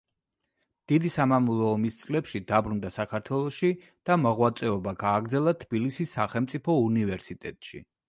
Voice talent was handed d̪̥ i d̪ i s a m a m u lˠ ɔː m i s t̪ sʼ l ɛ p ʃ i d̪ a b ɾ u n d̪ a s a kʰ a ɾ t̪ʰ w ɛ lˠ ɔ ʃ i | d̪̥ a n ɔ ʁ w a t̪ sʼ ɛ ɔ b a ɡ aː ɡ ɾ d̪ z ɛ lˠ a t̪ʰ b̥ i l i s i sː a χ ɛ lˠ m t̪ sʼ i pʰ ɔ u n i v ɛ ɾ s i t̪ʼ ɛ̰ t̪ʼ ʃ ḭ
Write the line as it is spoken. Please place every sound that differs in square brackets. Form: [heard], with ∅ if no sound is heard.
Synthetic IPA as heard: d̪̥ i d̪ i s a m a m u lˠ ɔː m i s t̪ sʼ l ɛ p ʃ i d̪ a b ɾ u n d̪ a s a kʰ a ɾ t̪ʰ w ɛ lˠ ɔ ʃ i | d̪̥ a [m] ɔ ʁ w a t̪ sʼ ɛ ɔ b a ɡ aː ɡ ɾ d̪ z ɛ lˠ a t̪ʰ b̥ i l i s i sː a χ ɛ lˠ m t̪ sʼ i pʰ ɔ u n i v ɛ ɾ s i t̪ʼ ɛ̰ t̪ʼ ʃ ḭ